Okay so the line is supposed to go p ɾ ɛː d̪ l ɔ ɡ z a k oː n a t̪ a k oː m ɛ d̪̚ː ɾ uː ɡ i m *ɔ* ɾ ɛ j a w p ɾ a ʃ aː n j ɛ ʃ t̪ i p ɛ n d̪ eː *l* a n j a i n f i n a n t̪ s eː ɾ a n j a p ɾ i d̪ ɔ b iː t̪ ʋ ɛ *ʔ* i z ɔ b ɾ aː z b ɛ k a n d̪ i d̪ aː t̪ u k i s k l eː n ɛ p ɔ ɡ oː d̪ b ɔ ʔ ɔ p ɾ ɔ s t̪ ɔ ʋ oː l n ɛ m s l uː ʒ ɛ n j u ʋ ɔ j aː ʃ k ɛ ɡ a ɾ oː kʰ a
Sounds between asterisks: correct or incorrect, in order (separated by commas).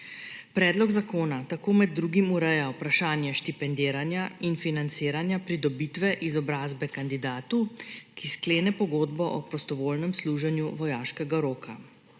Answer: incorrect, incorrect, correct